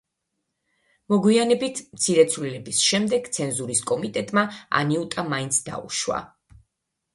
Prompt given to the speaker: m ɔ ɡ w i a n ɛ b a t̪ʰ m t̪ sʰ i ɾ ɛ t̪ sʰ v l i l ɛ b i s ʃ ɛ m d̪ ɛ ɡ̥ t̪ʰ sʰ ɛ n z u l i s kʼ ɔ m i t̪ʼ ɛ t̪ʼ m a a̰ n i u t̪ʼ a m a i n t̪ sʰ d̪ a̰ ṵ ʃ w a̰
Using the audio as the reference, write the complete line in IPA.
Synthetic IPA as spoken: m ɔ ɡ w i a n ɛ b i t̪ʰ m t̪ sʰ i ɾ ɛ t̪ sʰ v l i l ɛ b i s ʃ ɛ m d̪ ɛ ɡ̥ t̪ sʰ ɛ n z u ɾ i s kʼ ɔ m i t̪ʼ ɛ t̪ʼ m a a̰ n i u t̪ʼ a m a i n t̪ sʰ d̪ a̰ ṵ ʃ w a̰